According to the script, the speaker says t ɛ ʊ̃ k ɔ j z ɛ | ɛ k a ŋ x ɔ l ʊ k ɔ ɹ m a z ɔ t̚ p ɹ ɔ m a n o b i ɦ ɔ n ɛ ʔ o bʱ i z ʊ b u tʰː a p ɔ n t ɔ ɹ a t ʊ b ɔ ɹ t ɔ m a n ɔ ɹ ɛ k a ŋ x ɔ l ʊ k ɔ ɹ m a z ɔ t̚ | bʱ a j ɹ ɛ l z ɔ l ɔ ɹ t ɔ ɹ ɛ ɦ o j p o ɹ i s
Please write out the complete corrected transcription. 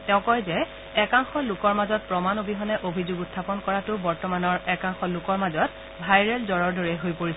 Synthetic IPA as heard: t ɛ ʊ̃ k ɔ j z ɛ | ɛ k a ŋ x ɔ l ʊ k ɔ ɹ m a z ɔ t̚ p ɹ ɔ m a n o b i ɦ ɔ n ɛ ʔ o bʱ i z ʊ ɡ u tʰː a p ɔ n k ɔ ɹ a t ʊ b ɔ ɹ t ɔ m a n ɔ ɹ ɛ k a ŋ x ɔ l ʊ k ɔ ɹ m a z ɔ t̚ | bʱ a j ɹ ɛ l z ɔ ɹ ɔ ɹ d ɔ ɹ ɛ ɦ o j p o ɹ i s